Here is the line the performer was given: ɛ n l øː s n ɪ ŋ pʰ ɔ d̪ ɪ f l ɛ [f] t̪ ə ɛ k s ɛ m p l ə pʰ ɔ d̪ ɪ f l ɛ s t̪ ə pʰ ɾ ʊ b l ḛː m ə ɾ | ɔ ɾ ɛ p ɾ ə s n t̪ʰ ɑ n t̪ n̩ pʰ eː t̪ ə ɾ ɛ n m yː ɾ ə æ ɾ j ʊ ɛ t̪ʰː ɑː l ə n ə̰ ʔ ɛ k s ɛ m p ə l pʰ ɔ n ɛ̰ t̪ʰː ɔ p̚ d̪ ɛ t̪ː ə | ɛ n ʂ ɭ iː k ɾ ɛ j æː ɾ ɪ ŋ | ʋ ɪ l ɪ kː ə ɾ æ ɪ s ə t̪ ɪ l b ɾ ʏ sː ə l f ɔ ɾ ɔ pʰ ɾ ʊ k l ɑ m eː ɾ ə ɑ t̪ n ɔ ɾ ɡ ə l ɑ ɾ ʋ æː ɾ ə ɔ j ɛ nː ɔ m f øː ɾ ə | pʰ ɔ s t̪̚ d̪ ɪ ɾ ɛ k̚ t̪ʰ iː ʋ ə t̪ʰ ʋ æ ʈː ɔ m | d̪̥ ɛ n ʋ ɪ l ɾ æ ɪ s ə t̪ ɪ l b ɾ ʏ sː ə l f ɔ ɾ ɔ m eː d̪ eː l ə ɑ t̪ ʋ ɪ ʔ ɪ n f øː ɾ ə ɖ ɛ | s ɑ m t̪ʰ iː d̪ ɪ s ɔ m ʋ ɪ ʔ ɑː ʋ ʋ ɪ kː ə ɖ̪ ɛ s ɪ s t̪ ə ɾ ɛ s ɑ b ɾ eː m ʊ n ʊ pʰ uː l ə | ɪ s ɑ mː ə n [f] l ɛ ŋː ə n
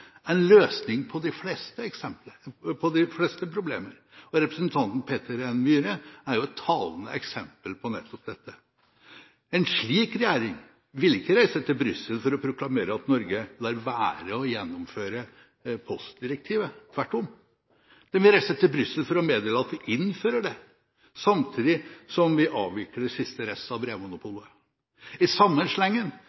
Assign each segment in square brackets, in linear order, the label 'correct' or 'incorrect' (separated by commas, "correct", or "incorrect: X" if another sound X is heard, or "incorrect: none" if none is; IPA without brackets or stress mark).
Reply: incorrect: s, incorrect: ʂ